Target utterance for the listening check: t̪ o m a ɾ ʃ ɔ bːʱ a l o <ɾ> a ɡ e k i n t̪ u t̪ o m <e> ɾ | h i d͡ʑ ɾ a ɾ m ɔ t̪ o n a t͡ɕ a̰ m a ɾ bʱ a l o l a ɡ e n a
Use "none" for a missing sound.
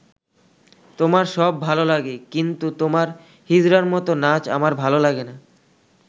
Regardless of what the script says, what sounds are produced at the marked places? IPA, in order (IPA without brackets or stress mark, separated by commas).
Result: l, a